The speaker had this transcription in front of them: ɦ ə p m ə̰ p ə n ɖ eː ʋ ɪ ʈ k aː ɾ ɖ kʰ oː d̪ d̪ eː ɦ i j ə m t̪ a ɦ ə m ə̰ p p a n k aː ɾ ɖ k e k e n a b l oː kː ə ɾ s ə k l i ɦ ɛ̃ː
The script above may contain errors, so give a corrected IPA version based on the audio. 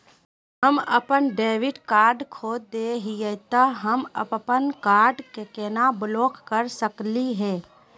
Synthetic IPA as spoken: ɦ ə m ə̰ p ə n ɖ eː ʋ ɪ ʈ k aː ɾ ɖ kʰ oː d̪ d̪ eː ɦ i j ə t̪ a ɦ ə m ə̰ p p ə n k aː ɾ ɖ k e k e n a b l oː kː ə ɾ s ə k l i ɦ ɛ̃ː